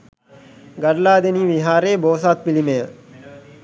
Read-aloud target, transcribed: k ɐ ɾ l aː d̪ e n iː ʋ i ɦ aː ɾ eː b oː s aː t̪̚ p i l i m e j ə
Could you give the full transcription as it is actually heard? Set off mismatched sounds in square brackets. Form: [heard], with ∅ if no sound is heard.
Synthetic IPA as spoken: [ɡ] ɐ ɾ l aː d̪ e n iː ʋ i ɦ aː ɾ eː b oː s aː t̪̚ p i l i m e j ə